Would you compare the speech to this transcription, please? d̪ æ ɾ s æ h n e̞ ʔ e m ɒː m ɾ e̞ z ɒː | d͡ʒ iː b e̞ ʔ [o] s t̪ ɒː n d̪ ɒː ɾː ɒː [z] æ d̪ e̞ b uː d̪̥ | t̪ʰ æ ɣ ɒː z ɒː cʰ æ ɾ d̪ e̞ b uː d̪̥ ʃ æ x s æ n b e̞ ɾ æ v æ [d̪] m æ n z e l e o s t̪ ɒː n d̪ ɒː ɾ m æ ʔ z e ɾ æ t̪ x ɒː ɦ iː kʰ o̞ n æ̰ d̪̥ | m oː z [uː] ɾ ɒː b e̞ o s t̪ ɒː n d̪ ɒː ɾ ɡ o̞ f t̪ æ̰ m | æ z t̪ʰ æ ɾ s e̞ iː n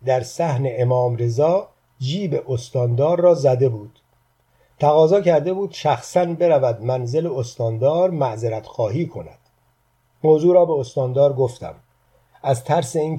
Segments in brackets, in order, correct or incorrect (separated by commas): correct, correct, correct, correct